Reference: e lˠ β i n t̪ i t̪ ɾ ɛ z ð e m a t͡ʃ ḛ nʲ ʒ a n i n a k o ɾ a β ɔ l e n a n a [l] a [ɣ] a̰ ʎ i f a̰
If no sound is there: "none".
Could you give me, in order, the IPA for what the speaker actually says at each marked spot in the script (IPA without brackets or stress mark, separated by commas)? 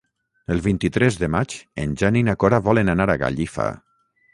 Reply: ɾ, ɣ